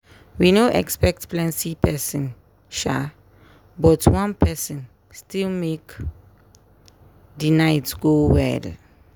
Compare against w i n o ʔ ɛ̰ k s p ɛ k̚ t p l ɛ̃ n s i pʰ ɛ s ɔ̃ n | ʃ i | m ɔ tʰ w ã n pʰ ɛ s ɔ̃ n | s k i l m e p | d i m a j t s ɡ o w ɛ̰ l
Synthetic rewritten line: w i n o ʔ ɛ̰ k s p ɛ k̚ t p l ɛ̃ n s i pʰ ɛ s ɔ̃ n | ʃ a | b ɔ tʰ w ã n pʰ ɛ s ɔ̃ n | s t i l m e k | d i n a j t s ɡ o w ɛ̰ l